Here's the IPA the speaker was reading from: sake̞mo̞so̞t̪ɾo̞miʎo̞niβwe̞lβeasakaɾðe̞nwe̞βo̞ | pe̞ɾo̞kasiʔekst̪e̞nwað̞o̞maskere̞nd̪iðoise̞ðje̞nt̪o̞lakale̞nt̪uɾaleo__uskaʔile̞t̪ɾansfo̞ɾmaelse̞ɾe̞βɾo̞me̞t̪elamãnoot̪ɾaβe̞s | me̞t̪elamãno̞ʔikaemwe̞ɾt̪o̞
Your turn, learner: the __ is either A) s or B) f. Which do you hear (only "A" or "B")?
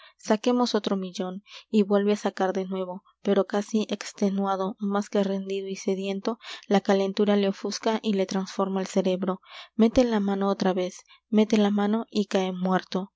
B